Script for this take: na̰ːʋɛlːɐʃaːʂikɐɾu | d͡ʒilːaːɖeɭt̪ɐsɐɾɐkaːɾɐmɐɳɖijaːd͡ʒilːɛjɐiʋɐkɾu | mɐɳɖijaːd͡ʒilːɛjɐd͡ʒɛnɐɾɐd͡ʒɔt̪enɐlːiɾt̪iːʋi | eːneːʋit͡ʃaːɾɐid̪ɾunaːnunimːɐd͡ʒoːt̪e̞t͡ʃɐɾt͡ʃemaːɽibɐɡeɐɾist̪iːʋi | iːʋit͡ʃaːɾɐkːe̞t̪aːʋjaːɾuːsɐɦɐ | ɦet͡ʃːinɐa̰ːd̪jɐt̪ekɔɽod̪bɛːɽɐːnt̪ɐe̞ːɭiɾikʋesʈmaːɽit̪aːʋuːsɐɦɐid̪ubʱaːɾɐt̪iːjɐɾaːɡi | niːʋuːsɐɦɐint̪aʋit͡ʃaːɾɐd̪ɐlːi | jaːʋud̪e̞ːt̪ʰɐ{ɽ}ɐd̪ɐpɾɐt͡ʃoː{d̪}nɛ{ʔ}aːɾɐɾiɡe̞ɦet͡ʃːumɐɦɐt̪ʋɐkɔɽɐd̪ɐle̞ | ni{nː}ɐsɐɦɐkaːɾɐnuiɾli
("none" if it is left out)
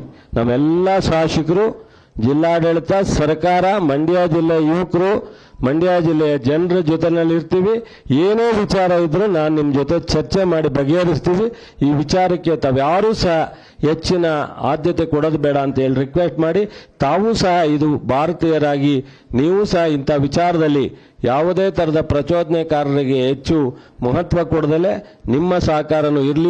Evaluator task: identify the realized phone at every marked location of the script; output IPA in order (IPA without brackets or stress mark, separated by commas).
ɾ, d̪, k, mː